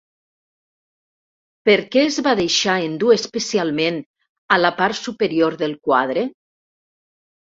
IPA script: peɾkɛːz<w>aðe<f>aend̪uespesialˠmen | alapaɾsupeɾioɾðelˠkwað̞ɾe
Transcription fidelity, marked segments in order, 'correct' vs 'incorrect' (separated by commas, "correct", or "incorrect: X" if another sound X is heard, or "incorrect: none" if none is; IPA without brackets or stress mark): incorrect: β, incorrect: ʃ